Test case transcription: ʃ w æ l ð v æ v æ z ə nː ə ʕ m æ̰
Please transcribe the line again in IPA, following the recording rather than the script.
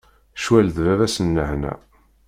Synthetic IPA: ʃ w æ l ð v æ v æ s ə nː ə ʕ n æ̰